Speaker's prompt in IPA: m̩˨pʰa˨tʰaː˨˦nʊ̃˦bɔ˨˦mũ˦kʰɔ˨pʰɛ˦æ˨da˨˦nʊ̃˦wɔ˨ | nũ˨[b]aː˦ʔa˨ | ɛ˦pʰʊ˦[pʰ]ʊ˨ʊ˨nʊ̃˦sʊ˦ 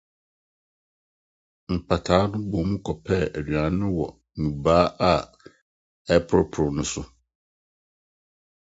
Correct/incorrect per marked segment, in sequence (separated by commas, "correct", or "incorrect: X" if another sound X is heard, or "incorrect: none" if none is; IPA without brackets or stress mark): correct, correct